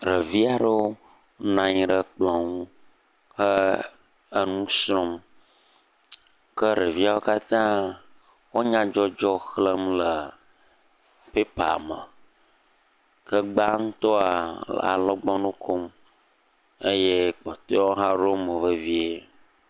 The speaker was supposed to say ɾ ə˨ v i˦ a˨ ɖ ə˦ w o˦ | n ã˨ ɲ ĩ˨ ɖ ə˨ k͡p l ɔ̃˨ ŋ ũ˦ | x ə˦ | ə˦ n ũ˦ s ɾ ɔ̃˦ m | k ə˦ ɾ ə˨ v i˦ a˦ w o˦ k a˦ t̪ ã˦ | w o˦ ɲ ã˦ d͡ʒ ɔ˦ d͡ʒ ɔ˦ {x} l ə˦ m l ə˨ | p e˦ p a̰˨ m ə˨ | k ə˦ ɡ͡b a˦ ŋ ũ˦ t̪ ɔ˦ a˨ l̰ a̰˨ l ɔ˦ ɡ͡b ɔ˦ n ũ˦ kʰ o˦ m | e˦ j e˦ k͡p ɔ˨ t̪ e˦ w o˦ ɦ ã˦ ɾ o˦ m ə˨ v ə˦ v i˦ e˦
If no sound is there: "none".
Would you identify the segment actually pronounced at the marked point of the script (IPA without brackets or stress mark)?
x